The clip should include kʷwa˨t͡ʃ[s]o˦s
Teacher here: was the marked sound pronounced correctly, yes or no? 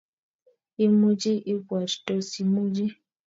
no